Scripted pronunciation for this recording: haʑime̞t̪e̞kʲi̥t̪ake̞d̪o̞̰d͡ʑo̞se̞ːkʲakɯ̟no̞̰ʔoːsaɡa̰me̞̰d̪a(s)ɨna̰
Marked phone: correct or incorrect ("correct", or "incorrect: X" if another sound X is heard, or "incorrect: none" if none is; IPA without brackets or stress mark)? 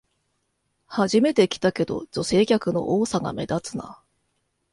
incorrect: t͡s